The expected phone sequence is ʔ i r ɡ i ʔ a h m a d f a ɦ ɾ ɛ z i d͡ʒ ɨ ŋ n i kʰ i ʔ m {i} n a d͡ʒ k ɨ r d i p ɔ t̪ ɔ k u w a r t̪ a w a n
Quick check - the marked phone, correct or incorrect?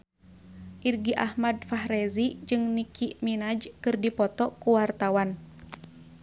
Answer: correct